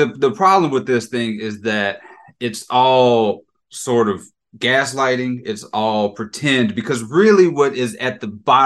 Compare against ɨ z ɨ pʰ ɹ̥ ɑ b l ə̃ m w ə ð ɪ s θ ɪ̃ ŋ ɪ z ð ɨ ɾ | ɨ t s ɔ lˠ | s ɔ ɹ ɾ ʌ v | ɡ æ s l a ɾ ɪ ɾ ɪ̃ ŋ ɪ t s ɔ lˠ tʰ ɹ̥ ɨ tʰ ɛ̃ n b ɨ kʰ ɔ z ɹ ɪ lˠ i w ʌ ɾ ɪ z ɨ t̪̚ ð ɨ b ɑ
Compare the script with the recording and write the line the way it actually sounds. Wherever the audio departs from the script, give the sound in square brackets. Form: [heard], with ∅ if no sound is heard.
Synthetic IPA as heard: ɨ [ð] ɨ pʰ ɹ̥ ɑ b l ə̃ m w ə ð ɪ s θ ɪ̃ ŋ ɪ z ð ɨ ɾ | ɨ t s ɔ lˠ | s ɔ ɹ ɾ ʌ v | ɡ æ s l a [∅] ɪ ɾ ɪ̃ ŋ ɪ t s ɔ lˠ [pʰ] ɹ̥ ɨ tʰ ɛ̃ n b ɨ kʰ [ʌ] z ɹ ɪ lˠ i w ʌ ɾ ɪ z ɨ t̪̚ ð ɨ b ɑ